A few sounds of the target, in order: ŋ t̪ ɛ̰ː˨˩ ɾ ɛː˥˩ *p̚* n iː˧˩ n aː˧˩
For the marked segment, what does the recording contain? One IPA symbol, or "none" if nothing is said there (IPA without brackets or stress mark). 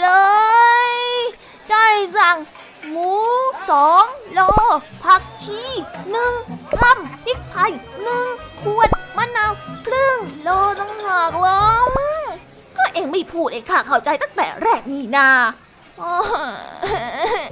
k̚